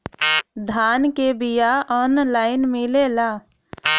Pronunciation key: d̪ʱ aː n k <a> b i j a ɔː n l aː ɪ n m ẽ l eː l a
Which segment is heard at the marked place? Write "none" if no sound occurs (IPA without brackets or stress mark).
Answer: e